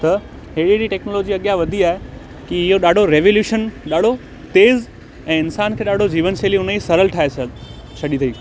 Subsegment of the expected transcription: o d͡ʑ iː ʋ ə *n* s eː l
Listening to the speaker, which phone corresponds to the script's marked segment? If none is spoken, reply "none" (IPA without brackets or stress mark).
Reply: n